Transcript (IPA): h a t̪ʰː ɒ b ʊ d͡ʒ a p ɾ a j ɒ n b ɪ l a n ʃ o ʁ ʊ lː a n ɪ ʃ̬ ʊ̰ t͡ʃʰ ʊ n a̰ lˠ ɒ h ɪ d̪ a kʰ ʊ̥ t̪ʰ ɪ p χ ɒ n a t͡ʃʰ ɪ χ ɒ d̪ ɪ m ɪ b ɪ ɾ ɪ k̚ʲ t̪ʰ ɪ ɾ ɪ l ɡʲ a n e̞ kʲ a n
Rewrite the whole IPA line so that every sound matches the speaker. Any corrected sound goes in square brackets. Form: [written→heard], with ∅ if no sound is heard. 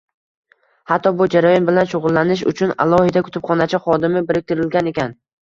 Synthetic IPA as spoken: h a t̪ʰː ɒ b ʊ d͡ʒ a [p→∅] ɾ a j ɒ n b ɪ l a n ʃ o ʁ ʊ lː a n ɪ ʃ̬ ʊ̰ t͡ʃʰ ʊ n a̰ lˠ ɒ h ɪ d̪ a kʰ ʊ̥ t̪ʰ ɪ p χ ɒ n a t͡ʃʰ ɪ χ ɒ d̪ ɪ m ɪ b ɪ ɾ ɪ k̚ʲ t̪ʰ ɪ ɾ ɪ l ɡʲ a n e̞ kʲ a n